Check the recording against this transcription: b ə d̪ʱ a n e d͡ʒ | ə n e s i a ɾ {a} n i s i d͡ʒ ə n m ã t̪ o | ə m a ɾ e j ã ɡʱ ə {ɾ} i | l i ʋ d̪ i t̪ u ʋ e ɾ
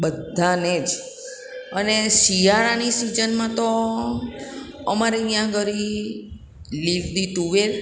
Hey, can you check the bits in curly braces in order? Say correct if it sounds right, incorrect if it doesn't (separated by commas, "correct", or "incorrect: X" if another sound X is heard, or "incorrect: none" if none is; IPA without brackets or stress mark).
correct, correct